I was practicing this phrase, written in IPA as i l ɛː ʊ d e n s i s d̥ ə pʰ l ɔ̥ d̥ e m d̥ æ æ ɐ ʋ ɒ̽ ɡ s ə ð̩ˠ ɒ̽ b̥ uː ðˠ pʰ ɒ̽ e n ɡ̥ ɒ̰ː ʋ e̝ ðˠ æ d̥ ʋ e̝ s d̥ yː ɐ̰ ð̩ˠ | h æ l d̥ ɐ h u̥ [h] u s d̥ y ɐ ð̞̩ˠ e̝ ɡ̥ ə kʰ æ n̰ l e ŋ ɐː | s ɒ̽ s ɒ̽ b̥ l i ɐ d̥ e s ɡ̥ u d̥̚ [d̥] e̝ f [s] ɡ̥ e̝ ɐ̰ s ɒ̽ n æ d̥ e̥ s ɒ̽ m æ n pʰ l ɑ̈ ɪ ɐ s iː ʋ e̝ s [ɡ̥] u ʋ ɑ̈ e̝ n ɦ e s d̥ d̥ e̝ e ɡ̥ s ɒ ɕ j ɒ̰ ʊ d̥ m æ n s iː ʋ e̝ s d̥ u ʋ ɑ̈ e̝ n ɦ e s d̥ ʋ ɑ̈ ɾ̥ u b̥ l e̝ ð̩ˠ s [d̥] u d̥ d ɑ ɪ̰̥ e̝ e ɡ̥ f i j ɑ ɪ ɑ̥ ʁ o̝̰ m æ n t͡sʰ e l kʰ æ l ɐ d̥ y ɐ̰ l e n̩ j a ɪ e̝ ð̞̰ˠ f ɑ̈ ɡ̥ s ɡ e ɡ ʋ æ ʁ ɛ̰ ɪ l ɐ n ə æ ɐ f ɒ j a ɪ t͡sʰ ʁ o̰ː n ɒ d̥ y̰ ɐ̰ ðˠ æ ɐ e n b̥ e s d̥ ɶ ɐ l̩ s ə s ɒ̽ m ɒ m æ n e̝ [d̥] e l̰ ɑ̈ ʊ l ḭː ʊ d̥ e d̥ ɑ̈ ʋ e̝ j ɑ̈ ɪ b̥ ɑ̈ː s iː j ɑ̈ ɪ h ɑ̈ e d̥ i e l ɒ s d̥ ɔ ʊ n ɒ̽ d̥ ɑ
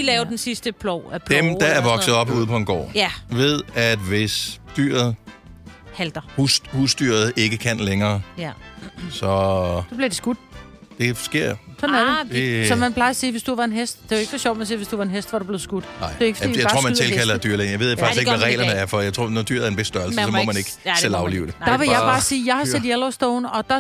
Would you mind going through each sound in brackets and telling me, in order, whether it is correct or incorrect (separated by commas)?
correct, correct, correct, incorrect, incorrect, incorrect